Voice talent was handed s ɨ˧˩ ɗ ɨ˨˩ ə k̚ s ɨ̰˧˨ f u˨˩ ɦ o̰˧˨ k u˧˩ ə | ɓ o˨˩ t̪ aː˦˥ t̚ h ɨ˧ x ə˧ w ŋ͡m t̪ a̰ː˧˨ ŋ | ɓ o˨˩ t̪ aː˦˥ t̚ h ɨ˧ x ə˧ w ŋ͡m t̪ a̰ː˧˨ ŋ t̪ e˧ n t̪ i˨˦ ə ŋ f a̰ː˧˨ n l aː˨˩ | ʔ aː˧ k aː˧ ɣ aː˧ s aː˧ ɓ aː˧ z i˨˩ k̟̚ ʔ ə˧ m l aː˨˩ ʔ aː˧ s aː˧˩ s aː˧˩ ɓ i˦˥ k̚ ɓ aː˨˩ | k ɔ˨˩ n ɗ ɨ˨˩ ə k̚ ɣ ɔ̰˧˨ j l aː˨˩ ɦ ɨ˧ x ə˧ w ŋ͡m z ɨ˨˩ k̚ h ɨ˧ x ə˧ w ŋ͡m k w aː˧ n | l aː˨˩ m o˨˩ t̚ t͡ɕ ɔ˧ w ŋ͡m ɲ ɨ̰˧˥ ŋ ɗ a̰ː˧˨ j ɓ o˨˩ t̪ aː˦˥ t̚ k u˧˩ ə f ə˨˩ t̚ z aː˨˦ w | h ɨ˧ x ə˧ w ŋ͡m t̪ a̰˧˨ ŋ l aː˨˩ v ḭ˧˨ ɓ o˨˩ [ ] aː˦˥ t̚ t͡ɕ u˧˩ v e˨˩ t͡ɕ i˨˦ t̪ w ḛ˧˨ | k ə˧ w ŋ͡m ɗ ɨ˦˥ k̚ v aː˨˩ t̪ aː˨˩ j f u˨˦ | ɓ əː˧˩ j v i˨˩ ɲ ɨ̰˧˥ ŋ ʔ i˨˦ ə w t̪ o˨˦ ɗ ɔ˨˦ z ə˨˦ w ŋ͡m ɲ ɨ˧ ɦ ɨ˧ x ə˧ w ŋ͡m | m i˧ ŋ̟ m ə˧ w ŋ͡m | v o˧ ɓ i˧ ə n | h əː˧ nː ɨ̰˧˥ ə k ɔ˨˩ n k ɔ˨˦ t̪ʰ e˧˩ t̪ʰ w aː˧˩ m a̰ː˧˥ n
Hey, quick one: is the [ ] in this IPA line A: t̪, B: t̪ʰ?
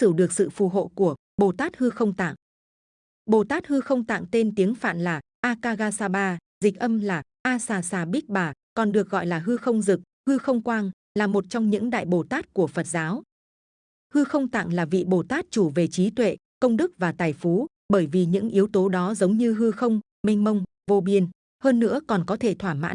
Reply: A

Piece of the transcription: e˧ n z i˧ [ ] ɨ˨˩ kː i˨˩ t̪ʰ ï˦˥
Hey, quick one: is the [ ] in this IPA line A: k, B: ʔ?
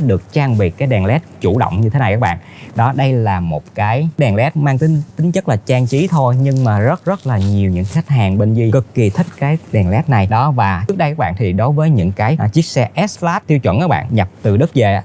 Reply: A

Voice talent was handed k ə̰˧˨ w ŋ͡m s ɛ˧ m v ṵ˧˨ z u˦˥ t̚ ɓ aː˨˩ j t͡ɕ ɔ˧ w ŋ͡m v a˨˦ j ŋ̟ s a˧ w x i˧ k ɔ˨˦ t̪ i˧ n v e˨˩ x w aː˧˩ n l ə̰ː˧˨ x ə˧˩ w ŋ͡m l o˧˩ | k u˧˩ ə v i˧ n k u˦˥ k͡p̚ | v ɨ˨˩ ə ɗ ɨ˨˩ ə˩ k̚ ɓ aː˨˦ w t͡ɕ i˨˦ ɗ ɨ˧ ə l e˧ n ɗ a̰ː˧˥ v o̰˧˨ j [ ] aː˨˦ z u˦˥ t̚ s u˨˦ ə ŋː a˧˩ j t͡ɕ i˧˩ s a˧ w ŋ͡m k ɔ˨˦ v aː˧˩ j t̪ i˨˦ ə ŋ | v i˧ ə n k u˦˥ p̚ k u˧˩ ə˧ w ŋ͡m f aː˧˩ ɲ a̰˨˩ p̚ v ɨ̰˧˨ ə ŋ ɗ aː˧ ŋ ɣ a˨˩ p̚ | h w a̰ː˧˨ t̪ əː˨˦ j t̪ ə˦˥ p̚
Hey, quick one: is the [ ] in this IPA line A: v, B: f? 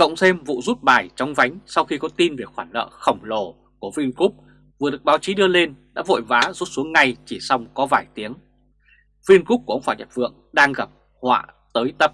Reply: A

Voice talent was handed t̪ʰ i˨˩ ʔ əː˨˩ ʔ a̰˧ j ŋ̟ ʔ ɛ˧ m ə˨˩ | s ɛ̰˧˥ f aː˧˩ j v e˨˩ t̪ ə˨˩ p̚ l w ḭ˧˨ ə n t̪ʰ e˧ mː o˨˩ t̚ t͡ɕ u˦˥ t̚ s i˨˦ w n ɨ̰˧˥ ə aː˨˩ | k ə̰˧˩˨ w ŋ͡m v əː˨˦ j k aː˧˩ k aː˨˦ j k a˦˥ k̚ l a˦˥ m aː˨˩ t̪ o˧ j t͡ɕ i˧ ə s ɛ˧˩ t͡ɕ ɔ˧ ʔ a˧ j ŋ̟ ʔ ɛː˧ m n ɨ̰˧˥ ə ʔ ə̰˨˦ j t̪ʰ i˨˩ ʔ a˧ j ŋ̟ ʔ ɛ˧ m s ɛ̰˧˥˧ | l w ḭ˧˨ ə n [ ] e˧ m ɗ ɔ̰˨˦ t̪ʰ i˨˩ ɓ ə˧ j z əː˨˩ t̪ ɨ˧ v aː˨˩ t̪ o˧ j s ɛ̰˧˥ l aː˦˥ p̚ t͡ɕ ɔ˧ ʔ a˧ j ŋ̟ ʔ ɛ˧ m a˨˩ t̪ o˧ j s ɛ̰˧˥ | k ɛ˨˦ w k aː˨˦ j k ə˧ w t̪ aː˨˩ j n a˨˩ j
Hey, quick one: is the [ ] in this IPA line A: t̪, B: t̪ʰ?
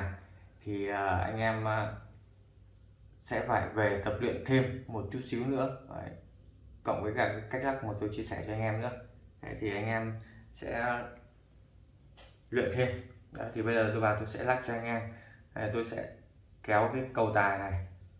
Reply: B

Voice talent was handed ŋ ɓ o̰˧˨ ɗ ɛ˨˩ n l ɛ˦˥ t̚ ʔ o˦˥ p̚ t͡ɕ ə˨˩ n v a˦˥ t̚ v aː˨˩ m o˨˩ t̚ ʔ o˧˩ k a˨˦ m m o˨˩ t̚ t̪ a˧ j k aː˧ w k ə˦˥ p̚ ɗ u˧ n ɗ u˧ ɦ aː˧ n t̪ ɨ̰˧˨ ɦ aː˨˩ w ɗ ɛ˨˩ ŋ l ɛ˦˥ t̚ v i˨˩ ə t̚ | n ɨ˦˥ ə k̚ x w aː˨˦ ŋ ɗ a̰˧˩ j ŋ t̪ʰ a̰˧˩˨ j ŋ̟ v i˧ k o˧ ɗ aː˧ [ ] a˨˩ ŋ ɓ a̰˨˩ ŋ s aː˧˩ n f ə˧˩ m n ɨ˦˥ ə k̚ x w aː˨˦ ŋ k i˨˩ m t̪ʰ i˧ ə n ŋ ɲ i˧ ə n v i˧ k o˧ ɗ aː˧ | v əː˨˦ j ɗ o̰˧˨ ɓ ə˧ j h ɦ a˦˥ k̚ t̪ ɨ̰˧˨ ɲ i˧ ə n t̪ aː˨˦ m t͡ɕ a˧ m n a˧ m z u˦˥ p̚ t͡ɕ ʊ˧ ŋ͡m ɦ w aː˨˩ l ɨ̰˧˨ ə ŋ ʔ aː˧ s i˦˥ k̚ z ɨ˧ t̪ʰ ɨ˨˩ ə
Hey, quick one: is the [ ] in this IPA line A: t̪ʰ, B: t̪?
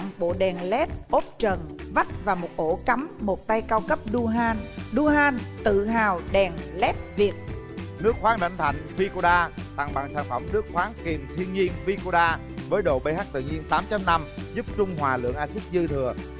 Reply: B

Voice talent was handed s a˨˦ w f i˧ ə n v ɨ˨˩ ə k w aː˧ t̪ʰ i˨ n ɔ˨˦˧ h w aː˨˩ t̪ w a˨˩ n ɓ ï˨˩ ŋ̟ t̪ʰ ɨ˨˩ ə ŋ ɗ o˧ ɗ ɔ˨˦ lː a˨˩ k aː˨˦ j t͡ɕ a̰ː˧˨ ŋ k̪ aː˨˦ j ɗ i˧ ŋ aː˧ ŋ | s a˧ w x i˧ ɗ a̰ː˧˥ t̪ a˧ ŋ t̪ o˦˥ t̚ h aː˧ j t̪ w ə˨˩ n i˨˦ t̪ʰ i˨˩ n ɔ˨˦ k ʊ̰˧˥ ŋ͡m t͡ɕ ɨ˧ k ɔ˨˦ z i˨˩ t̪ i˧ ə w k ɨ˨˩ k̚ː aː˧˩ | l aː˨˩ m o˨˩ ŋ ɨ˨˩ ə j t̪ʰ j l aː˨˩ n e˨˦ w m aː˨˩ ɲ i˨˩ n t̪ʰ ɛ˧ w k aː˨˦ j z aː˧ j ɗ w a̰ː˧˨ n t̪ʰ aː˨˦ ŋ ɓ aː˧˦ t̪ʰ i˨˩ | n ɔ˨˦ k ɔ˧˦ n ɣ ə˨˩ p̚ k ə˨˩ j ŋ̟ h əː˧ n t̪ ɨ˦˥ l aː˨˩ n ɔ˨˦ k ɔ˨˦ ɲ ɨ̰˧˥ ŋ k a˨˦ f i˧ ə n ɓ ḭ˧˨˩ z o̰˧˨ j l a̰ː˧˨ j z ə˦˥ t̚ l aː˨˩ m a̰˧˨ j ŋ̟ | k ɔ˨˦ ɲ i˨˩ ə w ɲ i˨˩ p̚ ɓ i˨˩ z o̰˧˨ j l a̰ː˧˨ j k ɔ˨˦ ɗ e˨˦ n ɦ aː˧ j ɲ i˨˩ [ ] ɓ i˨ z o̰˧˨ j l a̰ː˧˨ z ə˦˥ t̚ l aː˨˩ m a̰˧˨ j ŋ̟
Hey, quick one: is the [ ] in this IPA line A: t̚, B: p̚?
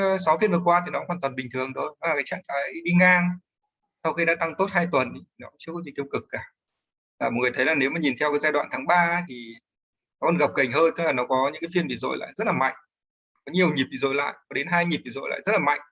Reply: B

